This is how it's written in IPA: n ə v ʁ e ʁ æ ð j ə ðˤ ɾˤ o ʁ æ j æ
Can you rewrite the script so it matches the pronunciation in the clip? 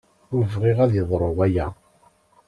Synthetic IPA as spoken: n ə v ʁ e ʁ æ ð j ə ðˤ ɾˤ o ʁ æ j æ